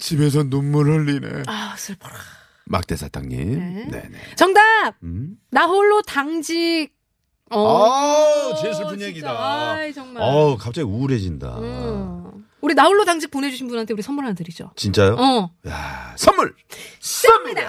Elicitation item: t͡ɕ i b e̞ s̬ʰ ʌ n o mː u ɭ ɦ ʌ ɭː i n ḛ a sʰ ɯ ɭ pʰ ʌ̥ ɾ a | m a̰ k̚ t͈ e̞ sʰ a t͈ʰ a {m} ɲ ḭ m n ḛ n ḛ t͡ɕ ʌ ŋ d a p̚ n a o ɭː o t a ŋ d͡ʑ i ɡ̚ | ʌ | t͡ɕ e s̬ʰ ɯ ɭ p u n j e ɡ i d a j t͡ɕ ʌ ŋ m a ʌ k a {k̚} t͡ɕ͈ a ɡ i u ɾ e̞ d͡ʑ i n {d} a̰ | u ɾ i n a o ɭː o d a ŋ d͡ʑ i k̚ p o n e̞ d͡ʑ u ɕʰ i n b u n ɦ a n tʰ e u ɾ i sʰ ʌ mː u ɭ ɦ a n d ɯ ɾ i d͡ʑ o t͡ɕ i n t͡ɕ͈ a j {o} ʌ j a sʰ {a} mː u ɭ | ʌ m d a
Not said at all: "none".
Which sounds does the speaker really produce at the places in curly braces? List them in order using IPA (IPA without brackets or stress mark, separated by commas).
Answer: ŋ, p̚, d, o, ʌ